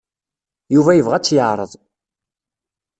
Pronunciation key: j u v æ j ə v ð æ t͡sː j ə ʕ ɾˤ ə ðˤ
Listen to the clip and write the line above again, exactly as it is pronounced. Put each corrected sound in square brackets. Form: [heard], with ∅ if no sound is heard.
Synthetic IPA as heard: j u v æ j ə v [ʁ] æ t͡sː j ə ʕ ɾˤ ə ðˤ